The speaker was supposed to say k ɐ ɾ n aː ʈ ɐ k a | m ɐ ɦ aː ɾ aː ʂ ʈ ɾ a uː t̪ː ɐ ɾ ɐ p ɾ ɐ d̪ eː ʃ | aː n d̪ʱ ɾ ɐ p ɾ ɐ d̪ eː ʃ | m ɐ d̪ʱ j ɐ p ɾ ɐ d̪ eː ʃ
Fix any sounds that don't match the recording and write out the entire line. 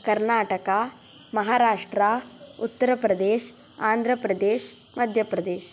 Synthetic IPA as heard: k ɐ ɾ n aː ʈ ɐ k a | m ɐ ɦ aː ɾ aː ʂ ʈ ɾ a u t̪ː ɐ ɾ ɐ p ɾ ɐ d̪ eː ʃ | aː n d̪ʱ ɾ ɐ p ɾ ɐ d̪ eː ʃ | m ɐ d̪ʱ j ɐ p ɾ ɐ d̪ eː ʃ